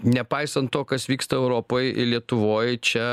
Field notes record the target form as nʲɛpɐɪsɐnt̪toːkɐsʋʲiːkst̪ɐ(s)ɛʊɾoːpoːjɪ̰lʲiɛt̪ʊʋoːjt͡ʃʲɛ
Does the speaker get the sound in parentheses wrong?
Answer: yes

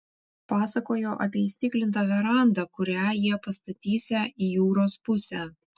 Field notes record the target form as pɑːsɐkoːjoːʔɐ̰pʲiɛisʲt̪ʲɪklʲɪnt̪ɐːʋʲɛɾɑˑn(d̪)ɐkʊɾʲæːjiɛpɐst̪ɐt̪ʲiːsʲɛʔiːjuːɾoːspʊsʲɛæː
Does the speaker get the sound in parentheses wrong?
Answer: no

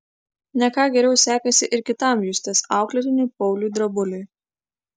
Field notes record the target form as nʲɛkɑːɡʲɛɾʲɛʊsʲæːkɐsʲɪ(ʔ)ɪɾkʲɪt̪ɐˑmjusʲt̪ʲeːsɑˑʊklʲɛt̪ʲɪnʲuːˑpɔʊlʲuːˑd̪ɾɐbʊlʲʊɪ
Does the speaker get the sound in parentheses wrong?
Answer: no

